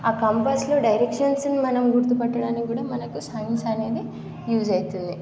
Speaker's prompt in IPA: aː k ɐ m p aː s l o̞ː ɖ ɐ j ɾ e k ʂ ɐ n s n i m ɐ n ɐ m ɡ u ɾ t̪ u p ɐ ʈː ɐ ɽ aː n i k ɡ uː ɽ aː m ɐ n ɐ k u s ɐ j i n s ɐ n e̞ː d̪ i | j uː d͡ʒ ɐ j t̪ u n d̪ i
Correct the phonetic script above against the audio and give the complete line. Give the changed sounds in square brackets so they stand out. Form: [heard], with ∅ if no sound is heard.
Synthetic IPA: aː k ɐ m p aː s l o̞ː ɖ ɐ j ɾ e k ʂ ɐ n s n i m ɐ n ɐ m ɡ u ɾ t̪ u p ɐ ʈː ɐ ɽ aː n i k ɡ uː ɽ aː m ɐ n ɐ k u s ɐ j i n s ɐ n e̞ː d̪ i | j uː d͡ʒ ɐ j t̪ u n d̪ i